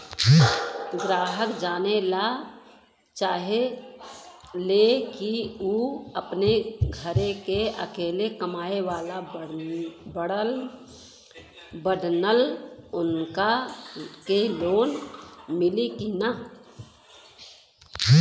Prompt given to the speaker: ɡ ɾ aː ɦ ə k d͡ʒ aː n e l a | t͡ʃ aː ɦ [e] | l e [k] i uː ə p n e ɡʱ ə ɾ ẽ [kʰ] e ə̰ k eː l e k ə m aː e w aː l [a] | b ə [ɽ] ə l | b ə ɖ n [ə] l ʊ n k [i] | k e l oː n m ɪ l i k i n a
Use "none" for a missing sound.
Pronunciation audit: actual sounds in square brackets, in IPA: e, k, k, a, ɽ, ə, a

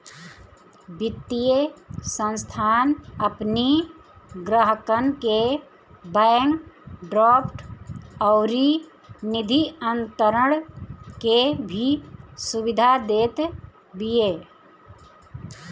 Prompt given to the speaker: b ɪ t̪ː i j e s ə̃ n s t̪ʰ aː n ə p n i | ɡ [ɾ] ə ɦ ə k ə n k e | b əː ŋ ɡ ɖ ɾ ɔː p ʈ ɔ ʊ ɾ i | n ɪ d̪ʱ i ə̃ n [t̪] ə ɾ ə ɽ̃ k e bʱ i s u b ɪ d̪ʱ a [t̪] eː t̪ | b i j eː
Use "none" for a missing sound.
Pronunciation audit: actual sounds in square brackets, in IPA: ɾ, t̪, d̪

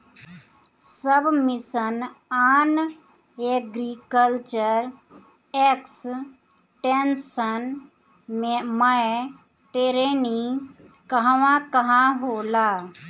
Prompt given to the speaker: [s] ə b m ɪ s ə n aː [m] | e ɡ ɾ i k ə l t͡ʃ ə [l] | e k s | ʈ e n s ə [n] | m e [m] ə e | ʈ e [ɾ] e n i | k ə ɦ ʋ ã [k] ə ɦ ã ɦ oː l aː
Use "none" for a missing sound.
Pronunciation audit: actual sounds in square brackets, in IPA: s, n, ɾ, n, m, ɾ, k

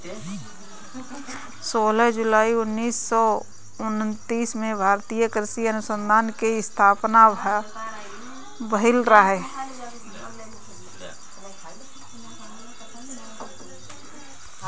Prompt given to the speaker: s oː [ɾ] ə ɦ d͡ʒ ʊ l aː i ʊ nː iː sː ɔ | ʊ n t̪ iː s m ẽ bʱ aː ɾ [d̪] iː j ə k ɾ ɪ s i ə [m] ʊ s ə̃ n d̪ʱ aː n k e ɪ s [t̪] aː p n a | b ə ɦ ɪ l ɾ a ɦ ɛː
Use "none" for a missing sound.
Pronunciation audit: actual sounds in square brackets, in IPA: l, t̪, n, t̪ʰ

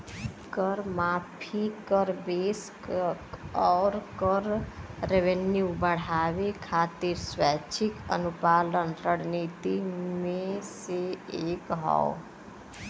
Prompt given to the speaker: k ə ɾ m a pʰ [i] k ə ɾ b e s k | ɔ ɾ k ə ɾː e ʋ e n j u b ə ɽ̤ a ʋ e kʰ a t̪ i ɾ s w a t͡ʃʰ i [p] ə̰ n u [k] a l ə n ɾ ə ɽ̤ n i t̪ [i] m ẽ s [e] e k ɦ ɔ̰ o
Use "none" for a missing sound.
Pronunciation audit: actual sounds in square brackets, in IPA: i, k, p, i, e

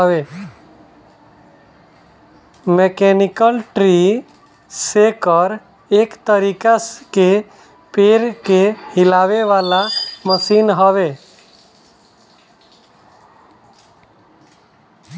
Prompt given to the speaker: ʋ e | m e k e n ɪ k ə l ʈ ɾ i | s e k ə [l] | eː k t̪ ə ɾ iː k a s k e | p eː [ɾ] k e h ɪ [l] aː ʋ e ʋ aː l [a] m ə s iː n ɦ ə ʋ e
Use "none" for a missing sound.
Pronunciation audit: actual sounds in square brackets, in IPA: ɾ, ɾ, l, a

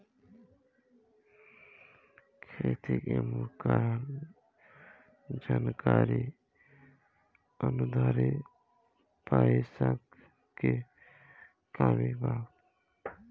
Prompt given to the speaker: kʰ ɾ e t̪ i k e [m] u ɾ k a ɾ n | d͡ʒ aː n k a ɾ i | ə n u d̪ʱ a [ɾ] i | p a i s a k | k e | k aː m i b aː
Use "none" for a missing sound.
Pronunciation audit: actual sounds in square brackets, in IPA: m, ɾ

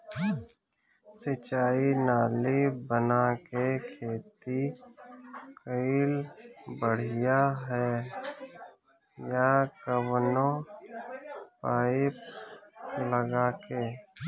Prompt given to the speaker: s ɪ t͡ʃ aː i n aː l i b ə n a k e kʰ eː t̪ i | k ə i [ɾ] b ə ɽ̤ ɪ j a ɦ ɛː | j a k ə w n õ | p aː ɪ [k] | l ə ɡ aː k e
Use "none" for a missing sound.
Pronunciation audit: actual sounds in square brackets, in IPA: l, p

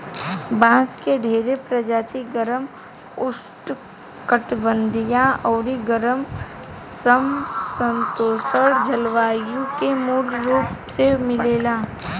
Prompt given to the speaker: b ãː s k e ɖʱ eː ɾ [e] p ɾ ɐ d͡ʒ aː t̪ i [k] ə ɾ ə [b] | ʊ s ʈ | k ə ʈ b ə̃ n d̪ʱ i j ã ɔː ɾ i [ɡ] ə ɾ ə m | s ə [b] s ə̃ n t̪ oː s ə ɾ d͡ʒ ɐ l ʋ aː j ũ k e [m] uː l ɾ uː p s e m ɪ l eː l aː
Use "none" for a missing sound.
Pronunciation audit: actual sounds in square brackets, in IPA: e, ɡ, m, ɡ, m, m

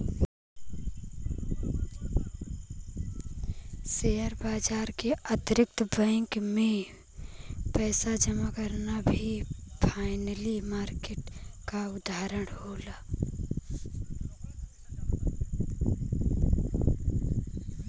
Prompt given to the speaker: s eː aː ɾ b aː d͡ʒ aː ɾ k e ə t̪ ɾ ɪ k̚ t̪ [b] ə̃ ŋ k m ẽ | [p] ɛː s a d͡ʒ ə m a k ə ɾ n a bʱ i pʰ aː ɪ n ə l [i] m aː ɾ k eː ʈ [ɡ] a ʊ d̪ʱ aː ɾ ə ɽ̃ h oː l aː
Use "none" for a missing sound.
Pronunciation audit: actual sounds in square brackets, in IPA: b, p, i, k

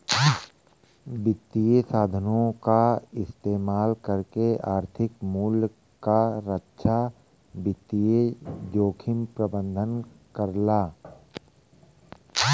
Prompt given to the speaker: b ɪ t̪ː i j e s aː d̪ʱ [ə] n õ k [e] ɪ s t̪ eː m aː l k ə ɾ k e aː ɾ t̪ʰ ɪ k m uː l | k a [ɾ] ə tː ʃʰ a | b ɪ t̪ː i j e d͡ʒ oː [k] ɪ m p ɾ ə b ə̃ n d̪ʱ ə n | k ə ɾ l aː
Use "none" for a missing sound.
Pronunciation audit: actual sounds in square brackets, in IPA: ə, a, ɾ, kʰ

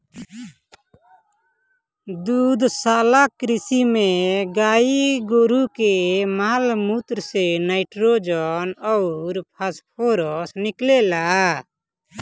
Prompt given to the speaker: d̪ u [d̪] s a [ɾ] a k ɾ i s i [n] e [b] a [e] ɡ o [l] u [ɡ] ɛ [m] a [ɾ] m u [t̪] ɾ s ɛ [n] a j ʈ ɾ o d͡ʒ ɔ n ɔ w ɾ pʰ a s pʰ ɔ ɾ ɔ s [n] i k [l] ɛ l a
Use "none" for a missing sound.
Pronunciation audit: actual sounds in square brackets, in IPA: d̪, l, m, ɡ, i, ɾ, k, m, l, t̪, n, n, l

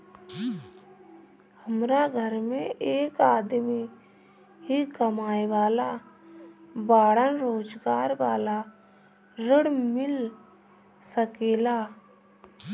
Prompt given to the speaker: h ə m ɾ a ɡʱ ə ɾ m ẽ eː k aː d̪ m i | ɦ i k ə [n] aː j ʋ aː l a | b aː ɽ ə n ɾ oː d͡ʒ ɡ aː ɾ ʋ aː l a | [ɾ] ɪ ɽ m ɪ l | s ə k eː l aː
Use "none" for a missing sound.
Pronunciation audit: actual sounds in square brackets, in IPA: m, ɾ

